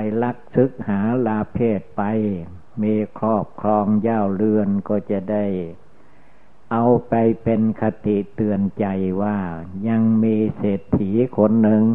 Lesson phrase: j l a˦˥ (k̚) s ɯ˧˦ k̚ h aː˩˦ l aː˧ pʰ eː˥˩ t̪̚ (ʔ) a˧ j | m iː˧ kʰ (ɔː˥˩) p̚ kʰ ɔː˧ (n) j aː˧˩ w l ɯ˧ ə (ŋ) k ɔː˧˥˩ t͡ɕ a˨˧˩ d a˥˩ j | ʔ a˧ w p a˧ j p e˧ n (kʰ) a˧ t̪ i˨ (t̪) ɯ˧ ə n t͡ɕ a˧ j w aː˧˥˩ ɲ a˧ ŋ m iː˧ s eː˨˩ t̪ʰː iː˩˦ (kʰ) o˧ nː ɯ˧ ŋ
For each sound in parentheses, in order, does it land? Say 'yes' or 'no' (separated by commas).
yes, no, yes, no, no, yes, yes, yes